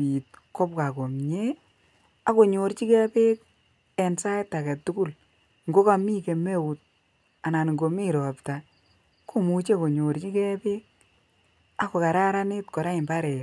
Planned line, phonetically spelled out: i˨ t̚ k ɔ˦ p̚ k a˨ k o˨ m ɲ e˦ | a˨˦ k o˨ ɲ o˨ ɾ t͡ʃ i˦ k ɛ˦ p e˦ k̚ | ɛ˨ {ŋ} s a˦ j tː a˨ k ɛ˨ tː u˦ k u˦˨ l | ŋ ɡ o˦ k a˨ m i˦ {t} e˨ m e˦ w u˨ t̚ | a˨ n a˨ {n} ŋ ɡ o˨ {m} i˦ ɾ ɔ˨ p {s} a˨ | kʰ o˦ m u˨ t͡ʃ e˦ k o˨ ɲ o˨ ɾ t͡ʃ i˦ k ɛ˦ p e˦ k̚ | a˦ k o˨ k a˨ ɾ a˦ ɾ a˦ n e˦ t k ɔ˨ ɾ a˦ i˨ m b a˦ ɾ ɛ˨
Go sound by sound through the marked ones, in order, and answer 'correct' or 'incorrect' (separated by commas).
incorrect, incorrect, correct, correct, incorrect